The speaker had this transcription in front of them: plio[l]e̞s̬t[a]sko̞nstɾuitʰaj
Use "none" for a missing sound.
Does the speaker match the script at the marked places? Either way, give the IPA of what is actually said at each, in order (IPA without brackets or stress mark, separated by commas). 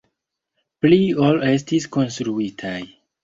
l, i